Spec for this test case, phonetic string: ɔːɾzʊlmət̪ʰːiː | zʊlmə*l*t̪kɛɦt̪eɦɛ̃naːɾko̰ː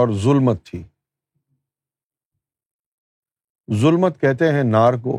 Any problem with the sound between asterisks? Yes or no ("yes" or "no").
yes